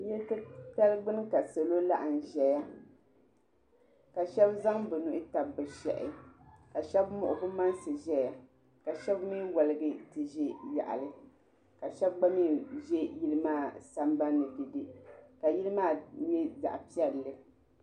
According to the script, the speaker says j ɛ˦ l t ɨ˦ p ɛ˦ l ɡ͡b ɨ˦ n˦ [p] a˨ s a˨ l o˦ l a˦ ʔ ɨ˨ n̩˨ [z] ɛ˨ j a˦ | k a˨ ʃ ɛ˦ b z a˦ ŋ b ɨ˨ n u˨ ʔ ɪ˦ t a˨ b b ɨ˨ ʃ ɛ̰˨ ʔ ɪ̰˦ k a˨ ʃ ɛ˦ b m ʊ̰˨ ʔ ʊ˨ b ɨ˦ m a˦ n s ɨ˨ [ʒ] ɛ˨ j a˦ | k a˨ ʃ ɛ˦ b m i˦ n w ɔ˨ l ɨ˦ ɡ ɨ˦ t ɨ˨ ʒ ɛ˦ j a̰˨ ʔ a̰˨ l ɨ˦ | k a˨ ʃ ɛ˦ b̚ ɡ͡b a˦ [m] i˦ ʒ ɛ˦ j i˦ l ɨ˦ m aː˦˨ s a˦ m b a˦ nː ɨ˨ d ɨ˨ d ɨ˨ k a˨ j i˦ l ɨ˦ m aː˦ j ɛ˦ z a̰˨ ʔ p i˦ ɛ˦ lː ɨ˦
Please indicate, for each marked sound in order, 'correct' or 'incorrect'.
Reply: incorrect, incorrect, correct, correct

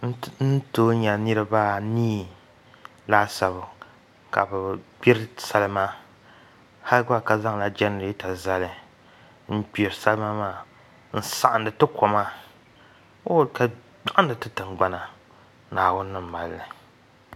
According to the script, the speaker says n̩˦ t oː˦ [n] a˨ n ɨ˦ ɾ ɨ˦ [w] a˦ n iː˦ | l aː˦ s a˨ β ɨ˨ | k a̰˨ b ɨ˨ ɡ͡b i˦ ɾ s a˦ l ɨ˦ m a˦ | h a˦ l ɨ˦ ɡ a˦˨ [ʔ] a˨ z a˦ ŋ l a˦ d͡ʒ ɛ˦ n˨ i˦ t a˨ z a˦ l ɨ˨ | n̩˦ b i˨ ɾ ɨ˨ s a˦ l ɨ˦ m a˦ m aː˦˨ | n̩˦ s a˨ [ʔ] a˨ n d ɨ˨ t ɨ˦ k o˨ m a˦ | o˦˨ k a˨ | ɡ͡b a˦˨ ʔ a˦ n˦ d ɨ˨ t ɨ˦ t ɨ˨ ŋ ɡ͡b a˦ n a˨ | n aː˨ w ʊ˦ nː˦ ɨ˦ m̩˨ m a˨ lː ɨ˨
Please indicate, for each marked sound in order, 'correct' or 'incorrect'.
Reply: incorrect, incorrect, incorrect, correct

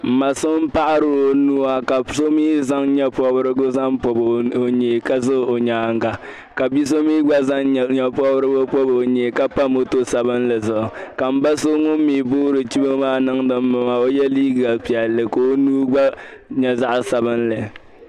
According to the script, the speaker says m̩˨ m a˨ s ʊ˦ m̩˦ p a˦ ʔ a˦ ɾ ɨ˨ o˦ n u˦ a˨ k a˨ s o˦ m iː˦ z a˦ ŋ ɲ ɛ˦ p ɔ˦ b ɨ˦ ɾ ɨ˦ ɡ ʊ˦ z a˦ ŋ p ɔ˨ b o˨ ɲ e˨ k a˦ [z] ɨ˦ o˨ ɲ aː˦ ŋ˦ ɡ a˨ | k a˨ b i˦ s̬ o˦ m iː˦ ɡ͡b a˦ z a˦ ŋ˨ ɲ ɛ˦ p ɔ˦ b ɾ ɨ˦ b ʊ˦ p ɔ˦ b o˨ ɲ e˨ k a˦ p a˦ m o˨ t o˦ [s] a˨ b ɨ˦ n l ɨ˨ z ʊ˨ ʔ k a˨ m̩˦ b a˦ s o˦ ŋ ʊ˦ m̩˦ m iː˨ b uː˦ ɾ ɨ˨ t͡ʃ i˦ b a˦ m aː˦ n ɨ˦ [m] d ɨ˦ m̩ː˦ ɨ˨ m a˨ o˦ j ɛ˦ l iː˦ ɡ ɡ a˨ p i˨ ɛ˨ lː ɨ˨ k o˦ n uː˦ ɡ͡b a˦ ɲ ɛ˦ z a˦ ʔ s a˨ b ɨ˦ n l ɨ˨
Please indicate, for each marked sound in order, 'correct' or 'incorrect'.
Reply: correct, correct, incorrect

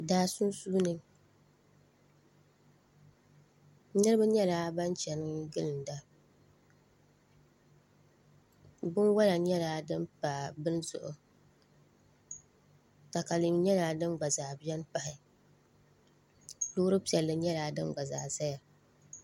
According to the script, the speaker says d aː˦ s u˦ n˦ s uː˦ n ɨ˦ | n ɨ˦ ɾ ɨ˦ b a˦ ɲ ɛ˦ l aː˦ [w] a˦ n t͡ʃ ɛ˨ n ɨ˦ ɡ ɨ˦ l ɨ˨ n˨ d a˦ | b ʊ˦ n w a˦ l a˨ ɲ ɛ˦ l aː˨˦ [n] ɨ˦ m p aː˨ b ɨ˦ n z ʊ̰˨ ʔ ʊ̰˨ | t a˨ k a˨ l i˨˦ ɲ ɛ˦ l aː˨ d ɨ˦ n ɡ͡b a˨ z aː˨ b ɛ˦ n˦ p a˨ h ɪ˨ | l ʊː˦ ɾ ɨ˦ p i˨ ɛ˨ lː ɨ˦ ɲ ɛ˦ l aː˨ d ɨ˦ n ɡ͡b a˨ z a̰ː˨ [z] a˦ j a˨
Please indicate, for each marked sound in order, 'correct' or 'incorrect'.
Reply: incorrect, incorrect, correct

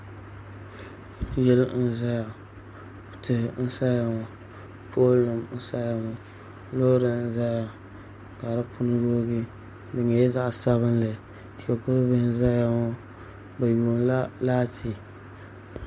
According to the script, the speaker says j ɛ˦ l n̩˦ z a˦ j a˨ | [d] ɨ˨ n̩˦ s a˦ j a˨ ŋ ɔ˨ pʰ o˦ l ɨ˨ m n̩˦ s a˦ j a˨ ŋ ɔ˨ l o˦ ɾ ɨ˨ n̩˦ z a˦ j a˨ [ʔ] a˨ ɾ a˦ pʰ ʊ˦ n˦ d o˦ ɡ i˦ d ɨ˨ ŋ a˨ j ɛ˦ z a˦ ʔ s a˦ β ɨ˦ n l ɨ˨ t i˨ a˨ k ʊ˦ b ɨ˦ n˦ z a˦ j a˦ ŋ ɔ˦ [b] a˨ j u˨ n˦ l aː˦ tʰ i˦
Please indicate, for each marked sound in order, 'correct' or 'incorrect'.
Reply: incorrect, incorrect, correct

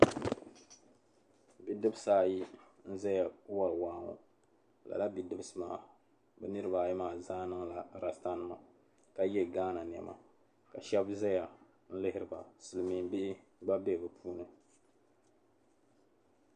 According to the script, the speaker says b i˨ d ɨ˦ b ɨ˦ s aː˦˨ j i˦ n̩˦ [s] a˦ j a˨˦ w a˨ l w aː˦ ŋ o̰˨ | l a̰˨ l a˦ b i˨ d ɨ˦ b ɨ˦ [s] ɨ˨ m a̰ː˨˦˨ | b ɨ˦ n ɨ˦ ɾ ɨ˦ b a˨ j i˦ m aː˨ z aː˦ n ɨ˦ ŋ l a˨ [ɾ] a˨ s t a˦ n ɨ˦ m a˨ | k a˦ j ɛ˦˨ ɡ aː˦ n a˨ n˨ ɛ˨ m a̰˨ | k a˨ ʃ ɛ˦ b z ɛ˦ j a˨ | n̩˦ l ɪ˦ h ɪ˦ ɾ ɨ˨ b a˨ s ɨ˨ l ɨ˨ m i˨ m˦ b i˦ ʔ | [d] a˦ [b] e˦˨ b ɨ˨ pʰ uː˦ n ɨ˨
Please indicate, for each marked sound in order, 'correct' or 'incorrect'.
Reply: incorrect, correct, correct, incorrect, correct

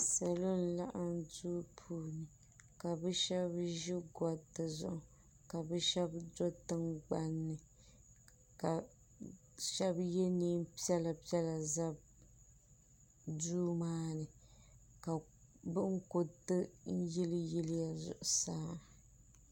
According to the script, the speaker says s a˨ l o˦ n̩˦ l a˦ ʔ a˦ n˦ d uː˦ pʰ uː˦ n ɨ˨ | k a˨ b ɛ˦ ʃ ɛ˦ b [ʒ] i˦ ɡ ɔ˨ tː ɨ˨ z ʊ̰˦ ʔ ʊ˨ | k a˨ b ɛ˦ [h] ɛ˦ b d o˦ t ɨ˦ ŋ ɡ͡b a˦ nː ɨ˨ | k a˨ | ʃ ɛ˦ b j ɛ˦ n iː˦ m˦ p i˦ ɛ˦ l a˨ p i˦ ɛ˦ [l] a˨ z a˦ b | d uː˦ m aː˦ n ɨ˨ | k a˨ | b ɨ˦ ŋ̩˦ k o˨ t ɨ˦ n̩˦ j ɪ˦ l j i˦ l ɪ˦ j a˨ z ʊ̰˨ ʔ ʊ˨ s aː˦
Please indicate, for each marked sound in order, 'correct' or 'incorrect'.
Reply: correct, incorrect, correct

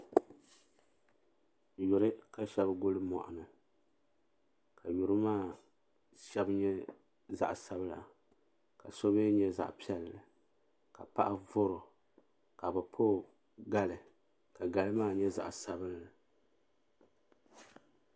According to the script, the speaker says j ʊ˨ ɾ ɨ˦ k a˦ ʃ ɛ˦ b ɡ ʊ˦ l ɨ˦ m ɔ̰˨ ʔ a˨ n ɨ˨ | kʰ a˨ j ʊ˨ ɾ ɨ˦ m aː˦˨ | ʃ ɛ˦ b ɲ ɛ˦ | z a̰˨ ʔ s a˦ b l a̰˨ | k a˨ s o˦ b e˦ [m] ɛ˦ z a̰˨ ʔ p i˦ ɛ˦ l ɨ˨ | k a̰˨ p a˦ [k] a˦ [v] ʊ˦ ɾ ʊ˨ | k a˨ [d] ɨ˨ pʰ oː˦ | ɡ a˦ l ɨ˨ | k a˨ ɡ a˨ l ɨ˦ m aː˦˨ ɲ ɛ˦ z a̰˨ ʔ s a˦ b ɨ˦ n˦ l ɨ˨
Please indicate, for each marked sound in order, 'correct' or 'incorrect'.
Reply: incorrect, incorrect, correct, incorrect

